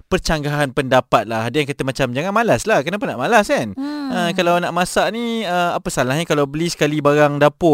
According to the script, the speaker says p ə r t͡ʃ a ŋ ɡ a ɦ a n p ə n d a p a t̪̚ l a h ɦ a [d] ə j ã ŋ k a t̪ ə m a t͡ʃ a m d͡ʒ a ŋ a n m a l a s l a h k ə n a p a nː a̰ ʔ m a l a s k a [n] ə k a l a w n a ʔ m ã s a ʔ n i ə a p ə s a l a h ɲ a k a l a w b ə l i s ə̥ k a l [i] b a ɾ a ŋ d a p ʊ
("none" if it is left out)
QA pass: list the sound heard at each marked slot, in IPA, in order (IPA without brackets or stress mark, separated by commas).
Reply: d, n, i